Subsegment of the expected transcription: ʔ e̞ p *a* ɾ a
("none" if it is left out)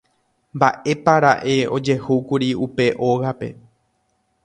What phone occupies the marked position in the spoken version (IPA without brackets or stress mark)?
a